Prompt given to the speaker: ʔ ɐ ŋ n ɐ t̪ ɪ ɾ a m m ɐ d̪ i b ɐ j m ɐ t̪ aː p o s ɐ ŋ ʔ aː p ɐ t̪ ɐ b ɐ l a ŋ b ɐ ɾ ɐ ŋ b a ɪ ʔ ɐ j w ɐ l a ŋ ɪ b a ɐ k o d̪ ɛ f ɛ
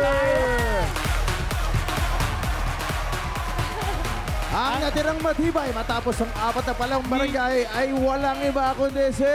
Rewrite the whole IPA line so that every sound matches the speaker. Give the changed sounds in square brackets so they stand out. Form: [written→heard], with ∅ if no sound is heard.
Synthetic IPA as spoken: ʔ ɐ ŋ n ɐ t̪ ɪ ɾ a [m→ŋ] m ɐ d̪ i b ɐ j m ɐ t̪ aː p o s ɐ ŋ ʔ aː p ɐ t̪ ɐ [b→p] ɐ l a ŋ b ɐ ɾ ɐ ŋ [b→ɡ] a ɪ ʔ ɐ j w ɐ l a ŋ ɪ b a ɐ k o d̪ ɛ [f→s] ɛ